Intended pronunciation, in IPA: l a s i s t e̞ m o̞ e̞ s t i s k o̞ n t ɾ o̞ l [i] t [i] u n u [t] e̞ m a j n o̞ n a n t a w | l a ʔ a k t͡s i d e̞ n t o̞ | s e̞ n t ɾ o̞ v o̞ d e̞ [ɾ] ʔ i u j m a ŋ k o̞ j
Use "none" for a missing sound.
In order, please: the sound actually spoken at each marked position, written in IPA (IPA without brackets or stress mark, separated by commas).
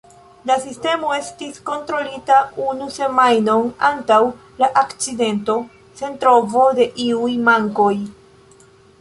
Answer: i, a, s, none